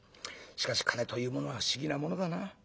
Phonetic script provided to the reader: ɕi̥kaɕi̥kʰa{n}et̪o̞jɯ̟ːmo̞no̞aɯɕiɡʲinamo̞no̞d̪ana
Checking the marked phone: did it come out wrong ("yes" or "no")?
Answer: no